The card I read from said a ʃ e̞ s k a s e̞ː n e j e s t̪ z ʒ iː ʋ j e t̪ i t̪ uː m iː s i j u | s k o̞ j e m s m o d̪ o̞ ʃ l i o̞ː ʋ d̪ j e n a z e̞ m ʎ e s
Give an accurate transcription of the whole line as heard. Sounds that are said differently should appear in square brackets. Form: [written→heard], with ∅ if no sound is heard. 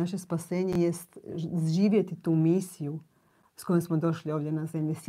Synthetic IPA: a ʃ e̞ s [k→p] a s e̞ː [n→ɲ] e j e s t̪ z ʒ iː ʋ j e t̪ i t̪ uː m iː s i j u | s k o̞ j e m s m o d̪ o̞ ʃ l i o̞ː ʋ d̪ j e n a z e̞ m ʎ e s